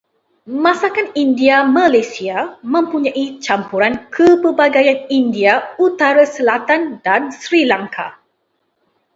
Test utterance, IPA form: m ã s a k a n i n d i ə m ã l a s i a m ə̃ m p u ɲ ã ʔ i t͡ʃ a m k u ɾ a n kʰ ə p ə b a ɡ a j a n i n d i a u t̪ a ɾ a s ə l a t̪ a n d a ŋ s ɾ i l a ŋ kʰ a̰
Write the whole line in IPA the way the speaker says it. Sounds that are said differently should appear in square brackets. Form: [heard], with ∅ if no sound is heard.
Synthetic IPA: m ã s a k a n i n d i [a] m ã l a s i a m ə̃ m p u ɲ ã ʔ i t͡ʃ a m [p] u ɾ a n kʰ ə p ə b a ɡ a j a n i n d i a u t̪ a ɾ a s ə l a t̪ a n d a [n] s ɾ i l a ŋ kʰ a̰